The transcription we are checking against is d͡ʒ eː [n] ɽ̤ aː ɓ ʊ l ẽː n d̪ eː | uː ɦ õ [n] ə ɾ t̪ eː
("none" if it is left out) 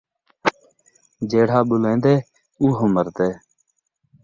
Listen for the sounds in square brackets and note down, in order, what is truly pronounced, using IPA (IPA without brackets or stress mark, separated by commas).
none, m